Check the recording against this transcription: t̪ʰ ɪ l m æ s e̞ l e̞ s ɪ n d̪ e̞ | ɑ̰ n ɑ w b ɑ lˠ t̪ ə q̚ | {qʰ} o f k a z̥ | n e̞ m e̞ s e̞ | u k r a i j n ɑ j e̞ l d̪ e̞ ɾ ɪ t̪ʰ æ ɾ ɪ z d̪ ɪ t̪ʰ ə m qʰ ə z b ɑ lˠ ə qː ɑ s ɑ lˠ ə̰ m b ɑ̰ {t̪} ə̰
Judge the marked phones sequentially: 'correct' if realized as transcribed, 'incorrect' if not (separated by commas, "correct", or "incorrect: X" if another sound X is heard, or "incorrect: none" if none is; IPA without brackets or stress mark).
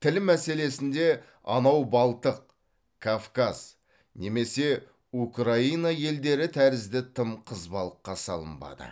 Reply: incorrect: kʰ, incorrect: d̪